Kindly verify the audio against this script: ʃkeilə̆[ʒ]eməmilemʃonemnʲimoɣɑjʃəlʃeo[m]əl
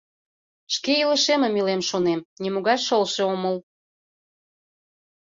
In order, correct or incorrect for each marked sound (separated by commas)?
incorrect, correct